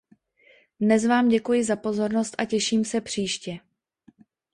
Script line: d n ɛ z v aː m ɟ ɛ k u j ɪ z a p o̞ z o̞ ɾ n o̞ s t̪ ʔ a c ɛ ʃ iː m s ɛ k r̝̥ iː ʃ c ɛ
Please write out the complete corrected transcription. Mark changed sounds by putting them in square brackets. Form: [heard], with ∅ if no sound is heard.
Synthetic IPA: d n ɛ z v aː m ɟ ɛ k u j ɪ z a p o̞ z o̞ ɾ n o̞ s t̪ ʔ a c ɛ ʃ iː m s ɛ [p] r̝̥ iː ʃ c ɛ

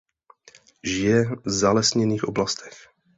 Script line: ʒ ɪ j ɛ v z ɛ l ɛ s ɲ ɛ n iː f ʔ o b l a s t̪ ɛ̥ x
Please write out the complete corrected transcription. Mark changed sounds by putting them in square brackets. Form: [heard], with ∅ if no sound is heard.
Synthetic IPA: ʒ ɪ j ɛ v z [a] l ɛ s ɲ ɛ n iː [x] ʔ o b l a s t̪ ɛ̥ x

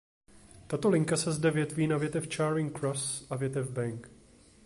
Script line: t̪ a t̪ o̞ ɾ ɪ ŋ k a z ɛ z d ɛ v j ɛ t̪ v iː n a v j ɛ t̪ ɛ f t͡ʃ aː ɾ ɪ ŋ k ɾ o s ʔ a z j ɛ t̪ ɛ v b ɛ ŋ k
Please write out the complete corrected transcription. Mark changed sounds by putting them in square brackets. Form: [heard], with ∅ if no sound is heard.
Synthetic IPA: t̪ a t̪ o̞ [l] ɪ ŋ k a [s] ɛ z d ɛ v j ɛ t̪ v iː n a v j ɛ t̪ ɛ f t͡ʃ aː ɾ ɪ ŋ k ɾ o s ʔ a [v] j ɛ t̪ ɛ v b ɛ ŋ k

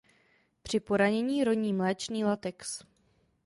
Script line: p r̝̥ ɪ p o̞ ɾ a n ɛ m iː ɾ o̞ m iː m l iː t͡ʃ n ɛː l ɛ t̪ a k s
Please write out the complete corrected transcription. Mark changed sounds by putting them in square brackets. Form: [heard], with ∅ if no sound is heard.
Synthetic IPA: p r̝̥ ɪ p o̞ ɾ a [ɲ] ɛ [ɲ] iː ɾ o̞ [ɲ] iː m l [ɛː] t͡ʃ n [iː] l [a] t̪ [ɛ] k s

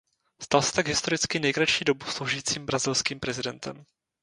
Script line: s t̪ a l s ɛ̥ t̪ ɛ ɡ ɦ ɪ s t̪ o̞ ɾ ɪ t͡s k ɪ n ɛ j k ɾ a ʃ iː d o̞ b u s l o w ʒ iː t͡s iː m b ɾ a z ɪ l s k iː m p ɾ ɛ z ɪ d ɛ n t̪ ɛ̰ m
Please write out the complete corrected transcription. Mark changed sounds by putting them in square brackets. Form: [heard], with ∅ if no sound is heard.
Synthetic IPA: s t̪ a l s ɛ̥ t̪ [a] ɡ ɦ ɪ s t̪ o̞ ɾ ɪ t͡s k ɪ n ɛ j k ɾ a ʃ iː d o̞ b u s l o w ʒ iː t͡s iː m b ɾ a z ɪ l s k iː m p ɾ ɛ z ɪ d ɛ n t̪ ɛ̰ m

